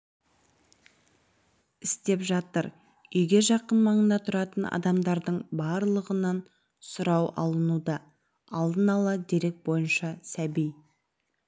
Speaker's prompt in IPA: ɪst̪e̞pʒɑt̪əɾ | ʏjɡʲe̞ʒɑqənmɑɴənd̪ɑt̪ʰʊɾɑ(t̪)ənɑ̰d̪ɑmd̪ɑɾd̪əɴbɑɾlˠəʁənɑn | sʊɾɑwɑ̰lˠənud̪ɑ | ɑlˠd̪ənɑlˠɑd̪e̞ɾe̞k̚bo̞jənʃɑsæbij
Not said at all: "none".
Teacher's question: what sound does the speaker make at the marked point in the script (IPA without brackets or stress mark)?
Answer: t̪